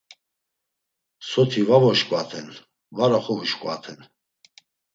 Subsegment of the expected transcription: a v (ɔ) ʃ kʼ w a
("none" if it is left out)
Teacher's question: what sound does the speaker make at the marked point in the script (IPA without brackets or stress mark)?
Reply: ɔ